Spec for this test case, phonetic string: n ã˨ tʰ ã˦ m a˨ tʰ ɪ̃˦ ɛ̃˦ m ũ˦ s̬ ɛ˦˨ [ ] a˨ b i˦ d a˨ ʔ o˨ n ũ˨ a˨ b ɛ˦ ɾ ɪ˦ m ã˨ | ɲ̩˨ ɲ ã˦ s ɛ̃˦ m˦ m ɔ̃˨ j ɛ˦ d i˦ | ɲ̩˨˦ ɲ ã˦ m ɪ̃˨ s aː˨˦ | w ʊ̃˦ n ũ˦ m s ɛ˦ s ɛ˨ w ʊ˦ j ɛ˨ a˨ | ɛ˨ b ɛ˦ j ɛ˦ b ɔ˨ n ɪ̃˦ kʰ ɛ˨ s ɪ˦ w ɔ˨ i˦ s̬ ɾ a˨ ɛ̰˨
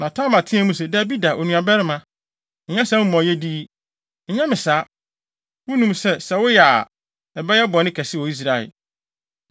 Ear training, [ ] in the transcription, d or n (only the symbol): d